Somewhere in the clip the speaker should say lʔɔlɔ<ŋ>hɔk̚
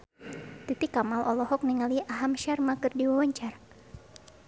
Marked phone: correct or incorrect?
incorrect